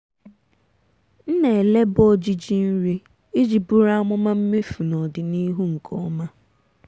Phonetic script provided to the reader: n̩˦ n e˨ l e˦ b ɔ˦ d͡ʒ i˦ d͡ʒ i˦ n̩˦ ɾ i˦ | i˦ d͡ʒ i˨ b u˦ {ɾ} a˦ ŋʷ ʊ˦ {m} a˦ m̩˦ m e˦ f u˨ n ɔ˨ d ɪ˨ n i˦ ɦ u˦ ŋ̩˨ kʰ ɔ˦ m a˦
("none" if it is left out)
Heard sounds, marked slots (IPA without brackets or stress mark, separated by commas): ɾ, m